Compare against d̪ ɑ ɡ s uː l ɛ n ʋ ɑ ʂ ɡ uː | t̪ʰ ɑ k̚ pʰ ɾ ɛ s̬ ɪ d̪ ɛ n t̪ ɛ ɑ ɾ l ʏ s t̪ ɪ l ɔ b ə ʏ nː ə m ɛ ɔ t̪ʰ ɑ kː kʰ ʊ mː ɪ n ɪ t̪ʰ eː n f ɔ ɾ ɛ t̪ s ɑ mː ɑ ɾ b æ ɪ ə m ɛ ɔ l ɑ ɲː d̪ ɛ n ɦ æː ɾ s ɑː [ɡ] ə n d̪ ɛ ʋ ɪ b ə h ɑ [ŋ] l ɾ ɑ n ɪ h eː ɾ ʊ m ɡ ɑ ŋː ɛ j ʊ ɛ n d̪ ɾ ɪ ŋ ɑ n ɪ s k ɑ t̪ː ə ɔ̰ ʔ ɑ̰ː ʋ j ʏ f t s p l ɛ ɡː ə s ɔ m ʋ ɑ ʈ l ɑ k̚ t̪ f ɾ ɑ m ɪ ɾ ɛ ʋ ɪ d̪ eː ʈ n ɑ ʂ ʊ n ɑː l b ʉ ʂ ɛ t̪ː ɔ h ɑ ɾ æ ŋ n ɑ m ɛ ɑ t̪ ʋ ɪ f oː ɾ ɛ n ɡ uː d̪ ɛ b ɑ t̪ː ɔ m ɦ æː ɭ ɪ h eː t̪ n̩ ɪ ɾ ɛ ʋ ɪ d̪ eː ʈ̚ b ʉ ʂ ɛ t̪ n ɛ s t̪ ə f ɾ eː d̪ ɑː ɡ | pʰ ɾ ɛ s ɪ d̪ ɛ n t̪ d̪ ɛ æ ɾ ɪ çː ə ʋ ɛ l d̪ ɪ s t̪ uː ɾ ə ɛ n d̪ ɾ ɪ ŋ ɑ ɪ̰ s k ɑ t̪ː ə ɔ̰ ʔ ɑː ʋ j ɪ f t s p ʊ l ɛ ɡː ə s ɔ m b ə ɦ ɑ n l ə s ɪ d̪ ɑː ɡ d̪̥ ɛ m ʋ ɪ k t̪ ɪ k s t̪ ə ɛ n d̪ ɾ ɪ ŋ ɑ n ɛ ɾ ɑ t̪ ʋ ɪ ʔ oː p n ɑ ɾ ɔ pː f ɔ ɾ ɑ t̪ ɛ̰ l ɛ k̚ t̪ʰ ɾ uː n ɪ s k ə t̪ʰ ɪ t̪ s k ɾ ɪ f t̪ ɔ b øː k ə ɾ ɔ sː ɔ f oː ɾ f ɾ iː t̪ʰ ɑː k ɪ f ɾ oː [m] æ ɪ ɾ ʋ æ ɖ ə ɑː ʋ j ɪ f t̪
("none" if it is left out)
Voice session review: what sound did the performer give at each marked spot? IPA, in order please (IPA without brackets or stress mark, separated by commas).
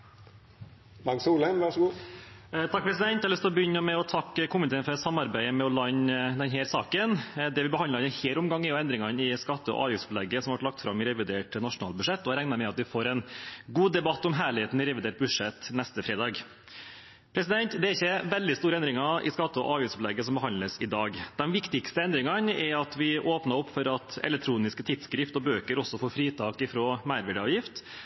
k, n, m